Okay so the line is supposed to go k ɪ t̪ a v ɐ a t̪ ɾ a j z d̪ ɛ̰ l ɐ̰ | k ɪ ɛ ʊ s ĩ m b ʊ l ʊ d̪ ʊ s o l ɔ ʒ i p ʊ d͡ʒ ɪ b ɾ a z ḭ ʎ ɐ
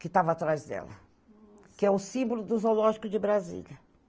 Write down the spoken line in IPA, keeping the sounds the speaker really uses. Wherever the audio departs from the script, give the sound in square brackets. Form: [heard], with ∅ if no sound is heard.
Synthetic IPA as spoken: k ɪ t̪ a v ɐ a t̪ ɾ a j z d̪ ɛ̰ l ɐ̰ | k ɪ ɛ ʊ s ĩ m b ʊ l ʊ d̪ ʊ [z] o l ɔ ʒ i [k] ʊ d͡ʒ ɪ b ɾ a z ḭ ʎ ɐ